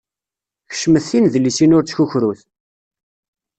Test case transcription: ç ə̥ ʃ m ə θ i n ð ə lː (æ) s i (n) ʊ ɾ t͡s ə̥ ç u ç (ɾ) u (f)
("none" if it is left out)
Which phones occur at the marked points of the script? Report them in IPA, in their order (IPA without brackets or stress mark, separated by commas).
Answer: i, n, ɾ, θ